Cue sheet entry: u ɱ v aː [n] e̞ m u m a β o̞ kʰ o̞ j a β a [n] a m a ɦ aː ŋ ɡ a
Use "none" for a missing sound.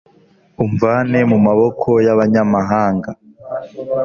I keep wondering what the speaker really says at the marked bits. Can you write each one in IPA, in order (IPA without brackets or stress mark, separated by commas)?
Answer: n, ɲ